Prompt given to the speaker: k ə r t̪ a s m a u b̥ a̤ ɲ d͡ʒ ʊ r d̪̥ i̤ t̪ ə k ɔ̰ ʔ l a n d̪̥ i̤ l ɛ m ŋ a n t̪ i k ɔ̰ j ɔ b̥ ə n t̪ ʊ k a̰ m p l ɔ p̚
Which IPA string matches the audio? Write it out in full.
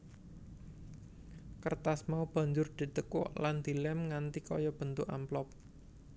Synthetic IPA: k ə r t̪ a s m a u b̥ a̤ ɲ d͡ʒ ʊ r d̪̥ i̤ t̪ ə k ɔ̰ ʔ l a n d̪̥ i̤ l ɛ m ŋ a n t̪ i k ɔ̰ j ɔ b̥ ə n t̪ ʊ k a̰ m p l ɔ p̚